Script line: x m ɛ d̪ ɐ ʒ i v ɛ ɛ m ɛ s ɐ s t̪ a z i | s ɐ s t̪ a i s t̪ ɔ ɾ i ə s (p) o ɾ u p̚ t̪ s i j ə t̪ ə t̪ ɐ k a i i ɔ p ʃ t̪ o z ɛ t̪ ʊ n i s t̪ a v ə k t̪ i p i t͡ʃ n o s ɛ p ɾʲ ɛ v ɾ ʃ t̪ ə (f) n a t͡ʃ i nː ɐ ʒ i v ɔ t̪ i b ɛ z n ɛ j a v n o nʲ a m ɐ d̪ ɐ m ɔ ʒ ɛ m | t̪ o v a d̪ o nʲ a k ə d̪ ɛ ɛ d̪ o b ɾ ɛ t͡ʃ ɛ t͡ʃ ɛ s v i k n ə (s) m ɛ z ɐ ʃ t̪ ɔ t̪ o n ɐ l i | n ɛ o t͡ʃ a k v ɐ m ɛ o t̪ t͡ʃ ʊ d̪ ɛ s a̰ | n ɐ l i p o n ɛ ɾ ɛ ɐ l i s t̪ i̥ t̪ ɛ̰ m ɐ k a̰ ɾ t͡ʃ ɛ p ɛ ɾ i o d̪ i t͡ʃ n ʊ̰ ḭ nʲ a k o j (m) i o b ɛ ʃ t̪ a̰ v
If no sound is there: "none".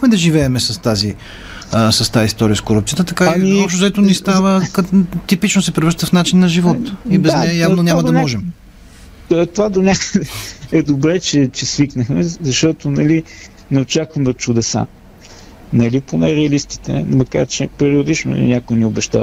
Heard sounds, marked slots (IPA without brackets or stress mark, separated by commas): k, f, x, n